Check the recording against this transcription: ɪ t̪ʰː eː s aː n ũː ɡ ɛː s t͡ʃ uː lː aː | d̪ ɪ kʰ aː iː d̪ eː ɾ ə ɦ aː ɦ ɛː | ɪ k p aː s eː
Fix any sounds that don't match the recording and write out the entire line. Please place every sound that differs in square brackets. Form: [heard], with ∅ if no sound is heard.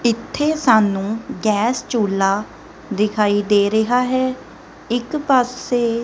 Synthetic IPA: ɪ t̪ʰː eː s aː n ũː ɡ ɛː s t͡ʃ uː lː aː | d̪ ɪ kʰ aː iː d̪ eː ɾ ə ɦ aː ɦ ɛː | ɪ k p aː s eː